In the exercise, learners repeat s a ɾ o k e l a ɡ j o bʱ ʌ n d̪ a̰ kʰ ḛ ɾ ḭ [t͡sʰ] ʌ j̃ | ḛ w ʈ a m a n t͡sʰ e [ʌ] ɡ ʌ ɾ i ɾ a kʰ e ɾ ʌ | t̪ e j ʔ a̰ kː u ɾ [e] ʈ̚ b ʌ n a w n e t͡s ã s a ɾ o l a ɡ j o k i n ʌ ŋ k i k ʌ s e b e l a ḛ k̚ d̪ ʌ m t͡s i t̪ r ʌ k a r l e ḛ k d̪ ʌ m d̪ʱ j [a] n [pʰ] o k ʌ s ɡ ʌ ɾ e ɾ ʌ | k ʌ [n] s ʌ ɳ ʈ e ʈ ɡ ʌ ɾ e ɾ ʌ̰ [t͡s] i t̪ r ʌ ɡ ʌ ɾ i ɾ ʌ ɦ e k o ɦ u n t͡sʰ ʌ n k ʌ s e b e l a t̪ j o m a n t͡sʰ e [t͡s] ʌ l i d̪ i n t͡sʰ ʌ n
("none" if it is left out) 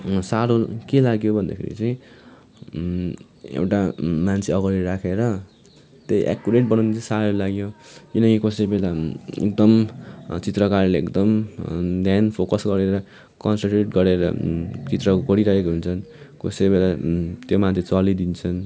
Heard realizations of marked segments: t͡s, ʌ, e, a, pʰ, n, t͡s, t͡s

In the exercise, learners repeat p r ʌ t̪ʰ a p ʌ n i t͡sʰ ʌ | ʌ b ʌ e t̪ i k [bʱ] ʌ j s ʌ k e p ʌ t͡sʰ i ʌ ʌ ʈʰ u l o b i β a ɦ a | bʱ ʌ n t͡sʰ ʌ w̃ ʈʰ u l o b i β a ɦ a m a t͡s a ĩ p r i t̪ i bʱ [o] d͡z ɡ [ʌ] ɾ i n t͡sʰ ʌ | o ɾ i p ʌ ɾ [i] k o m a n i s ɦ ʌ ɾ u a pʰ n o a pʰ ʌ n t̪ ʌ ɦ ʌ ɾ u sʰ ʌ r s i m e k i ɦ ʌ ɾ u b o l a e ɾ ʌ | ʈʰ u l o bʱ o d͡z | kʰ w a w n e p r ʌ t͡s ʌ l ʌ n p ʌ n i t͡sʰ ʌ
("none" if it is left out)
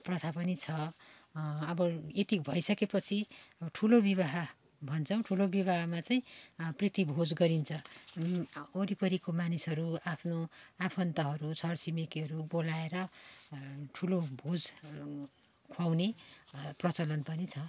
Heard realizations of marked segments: bʱ, o, ʌ, i

